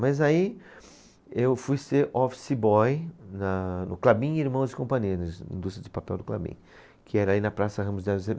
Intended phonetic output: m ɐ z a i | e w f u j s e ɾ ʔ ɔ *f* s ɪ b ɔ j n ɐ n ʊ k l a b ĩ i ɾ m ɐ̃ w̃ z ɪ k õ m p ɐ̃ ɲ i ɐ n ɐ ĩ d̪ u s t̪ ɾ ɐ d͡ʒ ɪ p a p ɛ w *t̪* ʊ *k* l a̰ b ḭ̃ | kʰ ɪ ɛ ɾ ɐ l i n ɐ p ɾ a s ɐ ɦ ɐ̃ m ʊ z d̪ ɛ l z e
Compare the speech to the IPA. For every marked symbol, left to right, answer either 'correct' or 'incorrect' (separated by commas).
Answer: correct, incorrect, correct